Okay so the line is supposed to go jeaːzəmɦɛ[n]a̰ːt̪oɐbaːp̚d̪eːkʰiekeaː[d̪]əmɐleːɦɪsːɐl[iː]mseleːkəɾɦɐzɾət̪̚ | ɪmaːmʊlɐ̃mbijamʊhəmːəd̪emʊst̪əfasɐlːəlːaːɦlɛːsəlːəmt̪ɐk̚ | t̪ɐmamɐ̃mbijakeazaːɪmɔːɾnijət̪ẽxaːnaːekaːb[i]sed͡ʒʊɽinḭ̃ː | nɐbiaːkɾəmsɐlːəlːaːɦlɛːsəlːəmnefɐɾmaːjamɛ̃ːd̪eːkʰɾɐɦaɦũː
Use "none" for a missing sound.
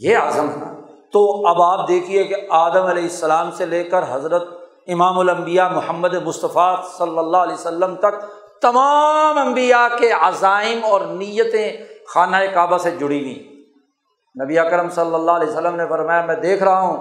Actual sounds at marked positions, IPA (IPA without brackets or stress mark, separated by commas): n, d̪, aː, a